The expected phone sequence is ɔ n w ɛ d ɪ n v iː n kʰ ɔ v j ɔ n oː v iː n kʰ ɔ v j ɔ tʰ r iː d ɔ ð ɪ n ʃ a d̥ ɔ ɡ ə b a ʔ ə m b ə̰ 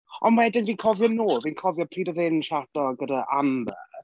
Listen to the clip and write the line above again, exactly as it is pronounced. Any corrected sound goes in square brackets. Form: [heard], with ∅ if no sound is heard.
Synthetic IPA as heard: ɔ n w ɛ d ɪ n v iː n kʰ ɔ v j ɔ n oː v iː n kʰ ɔ v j ɔ [pʰ] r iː d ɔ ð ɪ n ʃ a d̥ ɔ ɡ ə [d] a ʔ [a] m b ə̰

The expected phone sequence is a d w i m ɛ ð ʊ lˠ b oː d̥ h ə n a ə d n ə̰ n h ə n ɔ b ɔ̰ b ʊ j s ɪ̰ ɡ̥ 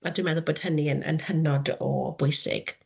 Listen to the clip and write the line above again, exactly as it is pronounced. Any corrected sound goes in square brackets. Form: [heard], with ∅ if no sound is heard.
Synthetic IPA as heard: a d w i m ɛ ð ʊ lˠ b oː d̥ h ə n [i] ə [∅] n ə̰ n h ə n ɔ [d] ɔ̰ b ʊ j s ɪ̰ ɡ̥

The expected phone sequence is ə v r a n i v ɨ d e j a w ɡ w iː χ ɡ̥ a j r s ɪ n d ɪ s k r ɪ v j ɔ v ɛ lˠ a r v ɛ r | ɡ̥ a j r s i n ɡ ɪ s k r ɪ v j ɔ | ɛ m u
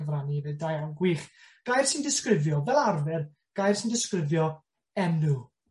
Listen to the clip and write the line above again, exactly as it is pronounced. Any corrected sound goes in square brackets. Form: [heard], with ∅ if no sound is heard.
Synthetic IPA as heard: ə v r a n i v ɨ d [a] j a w ɡ w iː χ ɡ̥ a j r s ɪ n d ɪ s k r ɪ v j ɔ v ɛ lˠ a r v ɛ r | ɡ̥ a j r s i n [d] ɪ s k r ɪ v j ɔ | ɛ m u

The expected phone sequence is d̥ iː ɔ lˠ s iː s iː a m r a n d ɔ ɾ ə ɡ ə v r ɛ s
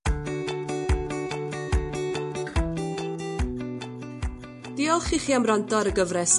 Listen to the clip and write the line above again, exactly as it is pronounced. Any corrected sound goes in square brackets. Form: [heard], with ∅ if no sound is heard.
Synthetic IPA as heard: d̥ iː ɔ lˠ [χ] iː [χ] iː a m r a n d ɔ ɾ ə ɡ ə v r ɛ s

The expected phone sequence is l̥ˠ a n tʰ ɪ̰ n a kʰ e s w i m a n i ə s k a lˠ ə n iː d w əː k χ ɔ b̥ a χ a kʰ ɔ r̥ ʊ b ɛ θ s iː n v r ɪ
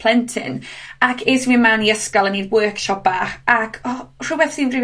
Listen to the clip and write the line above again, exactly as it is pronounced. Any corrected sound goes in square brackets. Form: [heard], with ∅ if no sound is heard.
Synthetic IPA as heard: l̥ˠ [ɛ] n tʰ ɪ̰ n a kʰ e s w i m a n i ə s k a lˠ ə n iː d w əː k [ʃ] ɔ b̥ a χ a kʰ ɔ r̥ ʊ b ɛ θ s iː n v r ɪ

